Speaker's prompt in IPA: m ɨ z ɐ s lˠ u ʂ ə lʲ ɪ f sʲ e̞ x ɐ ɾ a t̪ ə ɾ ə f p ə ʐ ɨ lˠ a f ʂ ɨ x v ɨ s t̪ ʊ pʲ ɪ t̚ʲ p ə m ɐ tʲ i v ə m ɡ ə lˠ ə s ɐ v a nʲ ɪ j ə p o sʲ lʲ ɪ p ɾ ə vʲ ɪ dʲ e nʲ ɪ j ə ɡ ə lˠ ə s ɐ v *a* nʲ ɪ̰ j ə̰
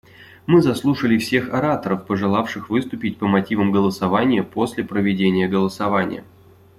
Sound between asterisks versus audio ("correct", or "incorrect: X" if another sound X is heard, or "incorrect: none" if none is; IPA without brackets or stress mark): correct